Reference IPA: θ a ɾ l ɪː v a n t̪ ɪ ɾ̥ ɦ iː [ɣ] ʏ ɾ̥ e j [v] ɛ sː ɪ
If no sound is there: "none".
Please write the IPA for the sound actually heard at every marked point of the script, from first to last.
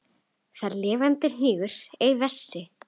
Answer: ɣ, v

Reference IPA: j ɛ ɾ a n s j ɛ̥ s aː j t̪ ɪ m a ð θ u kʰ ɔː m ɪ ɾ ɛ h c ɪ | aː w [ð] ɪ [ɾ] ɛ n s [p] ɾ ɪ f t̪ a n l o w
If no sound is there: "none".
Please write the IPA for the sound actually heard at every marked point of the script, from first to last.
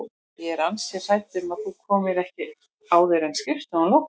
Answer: ð, ɾ, c

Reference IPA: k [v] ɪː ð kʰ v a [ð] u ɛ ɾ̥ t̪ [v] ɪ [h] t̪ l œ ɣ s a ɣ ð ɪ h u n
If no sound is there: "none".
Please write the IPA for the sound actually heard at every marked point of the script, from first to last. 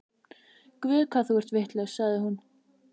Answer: v, θ, v, h

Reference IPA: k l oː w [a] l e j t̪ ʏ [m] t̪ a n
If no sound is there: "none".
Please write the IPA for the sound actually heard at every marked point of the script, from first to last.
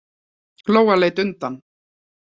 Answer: a, n

